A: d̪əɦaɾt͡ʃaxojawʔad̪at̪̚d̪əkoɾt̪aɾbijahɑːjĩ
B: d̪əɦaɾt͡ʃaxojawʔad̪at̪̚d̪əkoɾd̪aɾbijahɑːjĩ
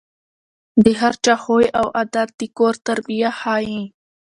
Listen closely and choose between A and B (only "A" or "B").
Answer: A